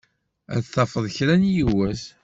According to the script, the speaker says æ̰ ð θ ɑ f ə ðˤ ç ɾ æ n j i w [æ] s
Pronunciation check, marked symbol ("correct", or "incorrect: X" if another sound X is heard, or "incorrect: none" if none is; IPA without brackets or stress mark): correct